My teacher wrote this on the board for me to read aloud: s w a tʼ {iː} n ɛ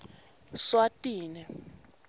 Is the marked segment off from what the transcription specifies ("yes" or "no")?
no